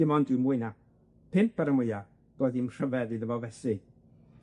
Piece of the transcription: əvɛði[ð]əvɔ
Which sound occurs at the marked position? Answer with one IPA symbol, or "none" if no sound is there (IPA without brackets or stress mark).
ð